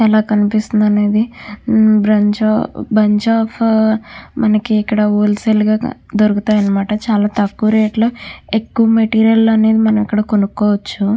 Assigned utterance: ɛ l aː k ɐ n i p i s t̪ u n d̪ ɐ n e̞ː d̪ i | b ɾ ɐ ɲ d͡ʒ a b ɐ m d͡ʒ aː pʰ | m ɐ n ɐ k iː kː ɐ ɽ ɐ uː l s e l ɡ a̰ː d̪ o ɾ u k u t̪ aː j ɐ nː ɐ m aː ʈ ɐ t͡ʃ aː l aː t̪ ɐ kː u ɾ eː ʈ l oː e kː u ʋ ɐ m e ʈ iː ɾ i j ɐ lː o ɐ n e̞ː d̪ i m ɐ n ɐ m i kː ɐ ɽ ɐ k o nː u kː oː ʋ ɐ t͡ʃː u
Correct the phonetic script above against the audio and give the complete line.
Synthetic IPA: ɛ l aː k ɐ n i p i s t̪ u n d̪ ɐ n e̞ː d̪ i | b ɾ ɐ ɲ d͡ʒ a b ɐ ɲ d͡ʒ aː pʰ | m ɐ n ɐ k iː kː ɐ ɽ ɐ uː l s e l ɡ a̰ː d̪ o ɾ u k u t̪ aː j ɐ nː ɐ m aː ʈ ɐ t͡ʃ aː l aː t̪ ɐ kː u ɾ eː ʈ l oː e kː u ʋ ɐ m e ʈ iː ɾ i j ɐ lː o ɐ n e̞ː d̪ i m ɐ n ɐ m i kː ɐ ɽ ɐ k o n u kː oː ʋ ɐ t͡ʃː u